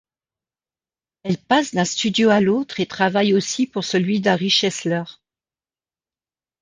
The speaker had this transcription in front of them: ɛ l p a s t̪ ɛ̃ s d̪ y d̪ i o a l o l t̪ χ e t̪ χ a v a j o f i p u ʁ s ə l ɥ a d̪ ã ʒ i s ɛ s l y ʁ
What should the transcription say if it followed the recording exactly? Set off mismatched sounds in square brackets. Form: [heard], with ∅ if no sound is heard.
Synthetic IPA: ɛ l p a s [d̪] ɛ̃ s [t̪] y d̪ [j] o a l o [∅] t̪ χ e t̪ χ a v a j o [s] i p u ʁ s ə l ɥ [i] d̪ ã [ʁ] i [ʃ] ɛ s l [œ] ʁ